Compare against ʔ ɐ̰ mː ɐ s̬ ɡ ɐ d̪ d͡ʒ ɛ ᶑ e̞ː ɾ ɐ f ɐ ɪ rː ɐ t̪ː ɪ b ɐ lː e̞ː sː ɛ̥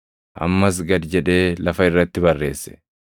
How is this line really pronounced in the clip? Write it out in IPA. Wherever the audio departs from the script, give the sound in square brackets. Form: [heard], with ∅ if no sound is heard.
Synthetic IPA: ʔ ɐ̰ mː ɐ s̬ ɡ ɐ d̪ d͡ʒ ɛ ᶑ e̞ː [l] ɐ f ɐ ɪ rː ɐ t̪ː ɪ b ɐ [rː] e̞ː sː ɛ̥